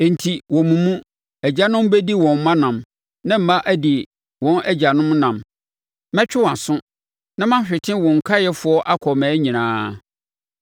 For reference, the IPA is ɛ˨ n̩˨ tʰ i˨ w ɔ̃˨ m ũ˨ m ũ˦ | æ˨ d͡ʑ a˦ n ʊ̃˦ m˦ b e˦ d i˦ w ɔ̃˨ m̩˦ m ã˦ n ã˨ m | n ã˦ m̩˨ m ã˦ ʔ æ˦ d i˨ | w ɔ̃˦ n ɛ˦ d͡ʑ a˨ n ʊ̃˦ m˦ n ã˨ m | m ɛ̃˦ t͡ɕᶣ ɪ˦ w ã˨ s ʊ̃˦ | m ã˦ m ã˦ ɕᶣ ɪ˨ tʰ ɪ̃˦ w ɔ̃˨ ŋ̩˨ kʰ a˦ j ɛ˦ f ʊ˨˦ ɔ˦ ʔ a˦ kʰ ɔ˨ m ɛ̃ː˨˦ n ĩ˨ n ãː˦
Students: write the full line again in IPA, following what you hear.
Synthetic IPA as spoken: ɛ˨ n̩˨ tʰ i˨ w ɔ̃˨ m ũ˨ m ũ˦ | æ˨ d͡ʑ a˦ n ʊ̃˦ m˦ b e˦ d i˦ w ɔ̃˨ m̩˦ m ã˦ n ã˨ m | n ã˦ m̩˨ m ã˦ ʔ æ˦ d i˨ | w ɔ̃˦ n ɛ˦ d͡ʑ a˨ n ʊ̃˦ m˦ n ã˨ m | m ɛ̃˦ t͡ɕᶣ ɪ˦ w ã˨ s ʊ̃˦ | n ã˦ m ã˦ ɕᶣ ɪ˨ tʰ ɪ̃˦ w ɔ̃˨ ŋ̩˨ kʰ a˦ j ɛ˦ f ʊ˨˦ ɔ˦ ʔ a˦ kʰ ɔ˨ m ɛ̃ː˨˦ ɲ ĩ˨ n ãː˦